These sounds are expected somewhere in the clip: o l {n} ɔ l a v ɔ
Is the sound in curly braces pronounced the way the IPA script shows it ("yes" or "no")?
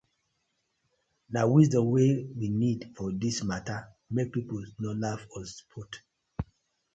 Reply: yes